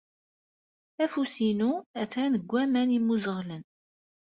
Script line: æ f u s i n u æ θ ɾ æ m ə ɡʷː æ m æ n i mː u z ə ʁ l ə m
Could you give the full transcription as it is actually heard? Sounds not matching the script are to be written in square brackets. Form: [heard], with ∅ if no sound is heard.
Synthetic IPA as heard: æ f u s i n u æ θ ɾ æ [n] ə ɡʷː æ m æ n i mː u z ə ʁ l ə [n]